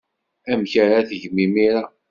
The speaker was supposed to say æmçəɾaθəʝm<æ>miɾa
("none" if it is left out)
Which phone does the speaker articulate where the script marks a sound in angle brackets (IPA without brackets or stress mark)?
i